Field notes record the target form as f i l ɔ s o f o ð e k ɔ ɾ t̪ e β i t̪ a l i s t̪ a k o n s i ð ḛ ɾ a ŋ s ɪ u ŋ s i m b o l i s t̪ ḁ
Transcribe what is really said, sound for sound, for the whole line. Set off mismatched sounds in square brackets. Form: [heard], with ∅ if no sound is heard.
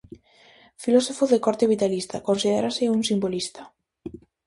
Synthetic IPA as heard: f i l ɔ s o f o ð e k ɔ ɾ t̪ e β i t̪ a l i s t̪ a k o n s i ð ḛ ɾ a [∅] s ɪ u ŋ s i m b o l i s t̪ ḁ